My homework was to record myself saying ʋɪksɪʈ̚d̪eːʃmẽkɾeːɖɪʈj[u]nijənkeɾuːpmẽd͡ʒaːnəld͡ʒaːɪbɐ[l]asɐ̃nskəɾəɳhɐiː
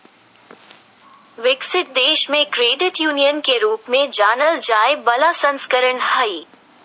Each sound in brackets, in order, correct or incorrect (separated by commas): incorrect, correct